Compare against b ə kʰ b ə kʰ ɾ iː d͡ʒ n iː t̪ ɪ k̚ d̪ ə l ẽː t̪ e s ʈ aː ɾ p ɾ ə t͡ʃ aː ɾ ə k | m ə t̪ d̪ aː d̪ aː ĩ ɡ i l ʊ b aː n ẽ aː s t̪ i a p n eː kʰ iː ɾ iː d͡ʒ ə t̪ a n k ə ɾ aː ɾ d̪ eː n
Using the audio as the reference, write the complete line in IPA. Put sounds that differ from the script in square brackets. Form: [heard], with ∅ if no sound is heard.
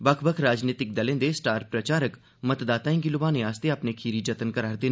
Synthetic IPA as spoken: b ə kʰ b ə kʰ ɾ [aː] d͡ʒ n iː t̪ ɪ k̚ d̪ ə l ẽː [d̪] e s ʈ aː ɾ p ɾ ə t͡ʃ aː ɾ ə k | m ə t̪ d̪ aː [t̪] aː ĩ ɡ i l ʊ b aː n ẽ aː s t̪ [e] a p n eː kʰ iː ɾ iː d͡ʒ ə t̪ [ə] n k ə ɾ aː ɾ d̪ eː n